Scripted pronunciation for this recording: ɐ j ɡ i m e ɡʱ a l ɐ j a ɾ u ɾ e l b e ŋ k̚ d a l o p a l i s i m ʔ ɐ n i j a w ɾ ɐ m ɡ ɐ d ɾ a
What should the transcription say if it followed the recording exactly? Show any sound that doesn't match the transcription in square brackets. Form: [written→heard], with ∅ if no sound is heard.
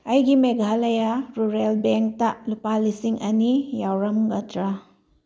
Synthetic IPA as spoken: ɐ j ɡ i m e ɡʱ a l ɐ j a ɾ u ɾ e l b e ŋ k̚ [d→t] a l [o→u] p a l i s i [m→ŋ] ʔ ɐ n i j a w ɾ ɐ m ɡ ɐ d ɾ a